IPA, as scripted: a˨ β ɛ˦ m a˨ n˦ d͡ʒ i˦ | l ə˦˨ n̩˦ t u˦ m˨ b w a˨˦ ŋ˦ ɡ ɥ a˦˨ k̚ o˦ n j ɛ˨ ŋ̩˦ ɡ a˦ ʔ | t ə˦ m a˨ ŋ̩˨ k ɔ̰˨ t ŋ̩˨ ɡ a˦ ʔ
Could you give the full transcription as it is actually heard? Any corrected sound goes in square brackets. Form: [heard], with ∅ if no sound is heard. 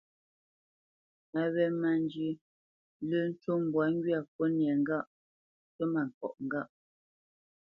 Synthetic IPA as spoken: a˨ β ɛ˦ m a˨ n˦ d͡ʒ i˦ | l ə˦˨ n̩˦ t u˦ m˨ b w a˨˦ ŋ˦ ɡ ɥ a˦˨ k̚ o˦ n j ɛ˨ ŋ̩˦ ɡ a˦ ʔ | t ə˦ m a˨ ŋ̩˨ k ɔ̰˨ [ʔ] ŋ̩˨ ɡ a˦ ʔ